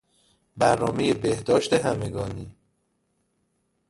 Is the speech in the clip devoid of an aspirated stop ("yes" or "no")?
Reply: yes